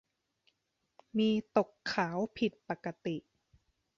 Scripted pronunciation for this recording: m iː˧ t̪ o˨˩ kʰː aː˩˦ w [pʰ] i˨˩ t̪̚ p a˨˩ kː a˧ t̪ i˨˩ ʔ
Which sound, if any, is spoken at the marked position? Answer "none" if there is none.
pʰ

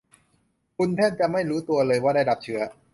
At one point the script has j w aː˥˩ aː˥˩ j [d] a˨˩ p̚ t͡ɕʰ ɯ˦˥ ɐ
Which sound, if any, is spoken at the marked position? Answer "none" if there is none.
d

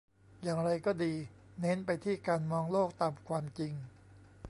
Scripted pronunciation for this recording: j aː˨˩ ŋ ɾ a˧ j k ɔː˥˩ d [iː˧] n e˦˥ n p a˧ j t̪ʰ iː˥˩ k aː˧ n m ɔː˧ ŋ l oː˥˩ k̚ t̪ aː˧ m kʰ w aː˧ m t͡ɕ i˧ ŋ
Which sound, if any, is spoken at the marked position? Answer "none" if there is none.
iː˧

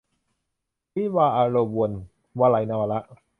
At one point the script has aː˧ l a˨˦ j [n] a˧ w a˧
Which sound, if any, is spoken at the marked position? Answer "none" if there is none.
n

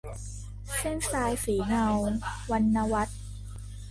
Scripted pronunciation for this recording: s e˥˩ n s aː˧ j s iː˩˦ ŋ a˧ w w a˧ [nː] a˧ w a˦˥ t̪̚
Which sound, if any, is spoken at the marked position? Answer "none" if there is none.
nː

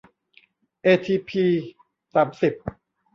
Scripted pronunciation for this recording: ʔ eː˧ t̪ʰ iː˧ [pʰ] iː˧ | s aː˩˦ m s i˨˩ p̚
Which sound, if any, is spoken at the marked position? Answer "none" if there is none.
pʰ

